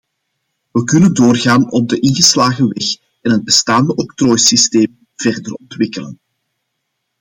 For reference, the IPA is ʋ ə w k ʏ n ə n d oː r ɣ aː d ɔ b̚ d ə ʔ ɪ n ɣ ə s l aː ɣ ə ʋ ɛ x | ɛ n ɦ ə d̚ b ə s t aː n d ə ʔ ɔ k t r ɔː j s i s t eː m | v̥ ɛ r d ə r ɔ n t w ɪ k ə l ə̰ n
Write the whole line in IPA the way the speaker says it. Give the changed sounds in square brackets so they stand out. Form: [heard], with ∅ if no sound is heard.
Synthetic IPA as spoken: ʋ ə [∅] k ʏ n ə n d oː r ɣ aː [n] ɔ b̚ d ə ʔ ɪ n ɣ ə s l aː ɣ ə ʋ ɛ x | ɛ n ɦ ə d̚ b ə s t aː n d ə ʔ ɔ k t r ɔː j s i s t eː m | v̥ ɛ r d ə r ɔ n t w ɪ k ə l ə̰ n